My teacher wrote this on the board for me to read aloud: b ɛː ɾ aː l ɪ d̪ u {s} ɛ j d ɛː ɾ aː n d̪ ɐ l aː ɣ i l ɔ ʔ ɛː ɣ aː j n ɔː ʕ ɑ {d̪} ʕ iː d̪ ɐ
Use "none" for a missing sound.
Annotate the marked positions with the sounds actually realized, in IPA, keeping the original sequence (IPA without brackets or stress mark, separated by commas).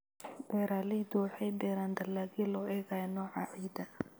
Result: ħ, none